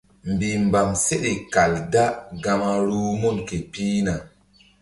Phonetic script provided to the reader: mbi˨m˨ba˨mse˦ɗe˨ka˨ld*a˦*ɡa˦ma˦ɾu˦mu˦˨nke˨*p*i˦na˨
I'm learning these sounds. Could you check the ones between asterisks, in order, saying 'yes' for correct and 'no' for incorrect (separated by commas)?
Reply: yes, yes